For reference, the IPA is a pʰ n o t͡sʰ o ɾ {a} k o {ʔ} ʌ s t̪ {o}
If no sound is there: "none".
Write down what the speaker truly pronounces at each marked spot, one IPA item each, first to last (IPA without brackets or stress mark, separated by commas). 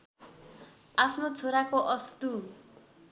a, ʔ, u